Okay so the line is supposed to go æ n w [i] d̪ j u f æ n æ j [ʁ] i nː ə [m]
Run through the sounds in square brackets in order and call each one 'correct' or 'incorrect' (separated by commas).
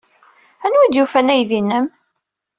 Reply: correct, incorrect, correct